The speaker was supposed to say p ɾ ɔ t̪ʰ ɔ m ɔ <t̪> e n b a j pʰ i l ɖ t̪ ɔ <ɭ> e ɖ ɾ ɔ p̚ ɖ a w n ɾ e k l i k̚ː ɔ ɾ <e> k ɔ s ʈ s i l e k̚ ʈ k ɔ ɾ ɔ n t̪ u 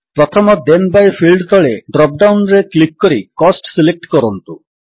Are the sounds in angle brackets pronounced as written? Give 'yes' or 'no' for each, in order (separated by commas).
no, yes, no